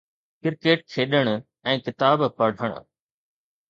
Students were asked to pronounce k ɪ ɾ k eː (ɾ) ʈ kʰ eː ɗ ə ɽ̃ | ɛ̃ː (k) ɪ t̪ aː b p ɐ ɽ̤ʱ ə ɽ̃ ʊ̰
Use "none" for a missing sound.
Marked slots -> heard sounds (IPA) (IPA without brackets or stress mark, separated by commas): none, k